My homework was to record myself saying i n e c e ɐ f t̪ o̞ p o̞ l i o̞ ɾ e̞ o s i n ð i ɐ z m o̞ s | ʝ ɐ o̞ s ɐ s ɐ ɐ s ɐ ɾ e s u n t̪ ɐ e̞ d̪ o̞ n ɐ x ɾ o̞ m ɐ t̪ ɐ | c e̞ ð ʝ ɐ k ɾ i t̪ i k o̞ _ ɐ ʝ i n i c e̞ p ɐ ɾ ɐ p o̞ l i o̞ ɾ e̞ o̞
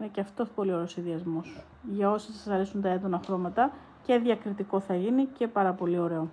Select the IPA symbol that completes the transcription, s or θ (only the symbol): θ